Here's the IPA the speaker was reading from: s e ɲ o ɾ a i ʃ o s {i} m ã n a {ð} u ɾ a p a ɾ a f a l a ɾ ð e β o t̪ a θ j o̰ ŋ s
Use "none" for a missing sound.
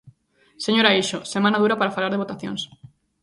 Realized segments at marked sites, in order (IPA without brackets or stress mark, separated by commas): e, ð